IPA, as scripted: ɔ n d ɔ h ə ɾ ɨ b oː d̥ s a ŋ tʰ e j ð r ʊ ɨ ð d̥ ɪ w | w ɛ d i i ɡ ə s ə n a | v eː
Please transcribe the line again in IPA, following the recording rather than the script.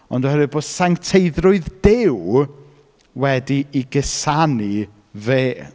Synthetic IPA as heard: ɔ n d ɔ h ə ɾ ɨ b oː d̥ s a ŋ tʰ e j ð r ʊ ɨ ð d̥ ɪ w | w ɛ d i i ɡ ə s a n i | v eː